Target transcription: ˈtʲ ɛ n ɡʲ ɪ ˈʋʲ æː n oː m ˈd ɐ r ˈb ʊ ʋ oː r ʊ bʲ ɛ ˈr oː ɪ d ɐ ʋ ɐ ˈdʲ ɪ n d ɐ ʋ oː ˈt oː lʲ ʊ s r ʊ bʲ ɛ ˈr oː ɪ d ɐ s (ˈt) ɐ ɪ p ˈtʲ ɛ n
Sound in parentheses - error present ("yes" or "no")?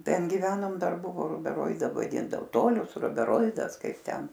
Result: yes